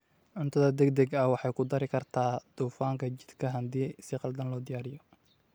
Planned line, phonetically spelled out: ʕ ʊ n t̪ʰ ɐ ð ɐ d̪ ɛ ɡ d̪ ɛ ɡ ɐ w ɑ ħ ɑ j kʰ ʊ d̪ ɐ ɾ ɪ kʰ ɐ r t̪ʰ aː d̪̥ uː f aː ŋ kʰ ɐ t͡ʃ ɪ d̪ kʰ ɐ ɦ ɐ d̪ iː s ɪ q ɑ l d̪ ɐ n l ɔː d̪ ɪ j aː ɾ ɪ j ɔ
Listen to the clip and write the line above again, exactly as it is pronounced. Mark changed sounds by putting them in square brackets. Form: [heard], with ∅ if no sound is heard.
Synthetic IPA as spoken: ʕ ʊ n t̪ʰ ɐ ð ɐ d̪ ɛ ɡ d̪ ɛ ɡ ɐ w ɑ ħ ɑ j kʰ ʊ d̪ ɐ ɾ ɪ kʰ ɐ r t̪ʰ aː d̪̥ uː f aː ŋ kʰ ɐ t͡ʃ ɪ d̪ kʰ ɐ ɦ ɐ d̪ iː s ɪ q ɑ l d̪ ɐ n l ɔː d̪ ɪ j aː ɾ ɪ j ɔ